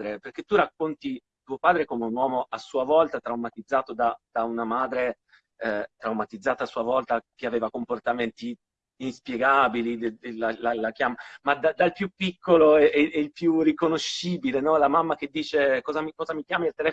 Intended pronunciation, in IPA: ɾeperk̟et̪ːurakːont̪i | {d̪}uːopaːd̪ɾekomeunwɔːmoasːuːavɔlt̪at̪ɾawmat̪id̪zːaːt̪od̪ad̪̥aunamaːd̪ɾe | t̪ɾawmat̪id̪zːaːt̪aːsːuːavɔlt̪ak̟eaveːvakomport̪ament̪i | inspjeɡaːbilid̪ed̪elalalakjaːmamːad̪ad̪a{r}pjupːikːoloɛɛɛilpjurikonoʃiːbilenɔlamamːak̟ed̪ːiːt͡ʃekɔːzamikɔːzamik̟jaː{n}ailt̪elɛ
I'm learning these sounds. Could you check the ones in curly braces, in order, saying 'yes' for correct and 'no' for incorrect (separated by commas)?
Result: no, no, no